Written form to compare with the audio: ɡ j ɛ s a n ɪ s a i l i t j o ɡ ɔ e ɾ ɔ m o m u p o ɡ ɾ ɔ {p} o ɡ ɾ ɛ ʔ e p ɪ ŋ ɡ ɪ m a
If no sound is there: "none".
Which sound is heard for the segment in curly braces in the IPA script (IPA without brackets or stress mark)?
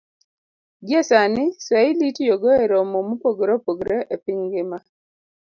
p